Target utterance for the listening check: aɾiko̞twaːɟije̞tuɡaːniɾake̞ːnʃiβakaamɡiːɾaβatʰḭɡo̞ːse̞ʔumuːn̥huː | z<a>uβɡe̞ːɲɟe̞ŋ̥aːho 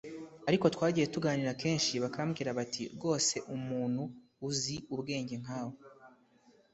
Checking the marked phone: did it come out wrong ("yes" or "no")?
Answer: yes